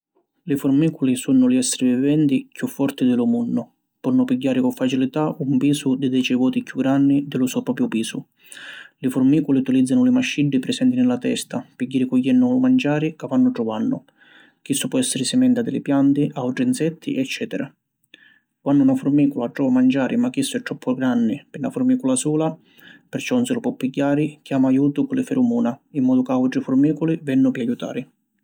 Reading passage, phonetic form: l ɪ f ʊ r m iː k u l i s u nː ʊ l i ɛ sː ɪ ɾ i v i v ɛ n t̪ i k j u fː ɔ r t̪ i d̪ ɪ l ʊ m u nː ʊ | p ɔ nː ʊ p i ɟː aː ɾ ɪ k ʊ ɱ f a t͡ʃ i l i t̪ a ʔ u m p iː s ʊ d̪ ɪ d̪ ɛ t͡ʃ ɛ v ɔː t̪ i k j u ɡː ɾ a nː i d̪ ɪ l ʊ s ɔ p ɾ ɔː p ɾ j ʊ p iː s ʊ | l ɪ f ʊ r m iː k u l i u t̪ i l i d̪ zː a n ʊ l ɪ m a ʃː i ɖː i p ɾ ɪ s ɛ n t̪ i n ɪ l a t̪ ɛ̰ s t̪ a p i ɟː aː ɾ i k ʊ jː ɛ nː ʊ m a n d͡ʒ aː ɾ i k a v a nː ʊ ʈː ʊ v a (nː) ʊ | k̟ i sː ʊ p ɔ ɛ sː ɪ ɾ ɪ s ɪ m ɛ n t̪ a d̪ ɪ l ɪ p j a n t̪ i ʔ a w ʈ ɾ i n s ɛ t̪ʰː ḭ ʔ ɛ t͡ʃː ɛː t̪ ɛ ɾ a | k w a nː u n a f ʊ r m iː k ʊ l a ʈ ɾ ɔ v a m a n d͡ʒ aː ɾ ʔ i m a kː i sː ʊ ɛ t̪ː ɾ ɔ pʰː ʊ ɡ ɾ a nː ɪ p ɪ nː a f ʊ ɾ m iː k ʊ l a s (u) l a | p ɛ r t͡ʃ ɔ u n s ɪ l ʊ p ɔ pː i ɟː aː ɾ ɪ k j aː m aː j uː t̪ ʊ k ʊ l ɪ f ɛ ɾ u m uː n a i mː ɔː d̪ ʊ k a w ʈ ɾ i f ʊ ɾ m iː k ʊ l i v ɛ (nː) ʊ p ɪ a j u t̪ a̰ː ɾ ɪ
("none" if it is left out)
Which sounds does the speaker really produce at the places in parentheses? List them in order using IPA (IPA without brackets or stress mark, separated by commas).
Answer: nː, uː, nː